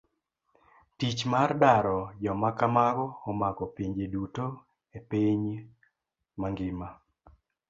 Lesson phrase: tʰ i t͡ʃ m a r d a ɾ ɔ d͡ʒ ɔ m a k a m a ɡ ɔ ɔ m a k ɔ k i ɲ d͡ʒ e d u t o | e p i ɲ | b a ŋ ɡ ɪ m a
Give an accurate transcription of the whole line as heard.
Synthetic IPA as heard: t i t͡ʃ m a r d a ɾ ɔ d͡ʒ ɔ m a k a m a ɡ ɔ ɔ m a k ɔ p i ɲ d͡ʒ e d u t o | e p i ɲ | m a ŋ ɡ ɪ m a